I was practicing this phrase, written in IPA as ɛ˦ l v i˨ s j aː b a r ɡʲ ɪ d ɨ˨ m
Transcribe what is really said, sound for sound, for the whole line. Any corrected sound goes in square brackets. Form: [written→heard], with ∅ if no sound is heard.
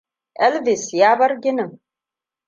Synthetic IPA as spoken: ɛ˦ l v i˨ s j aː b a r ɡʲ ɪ [d→n] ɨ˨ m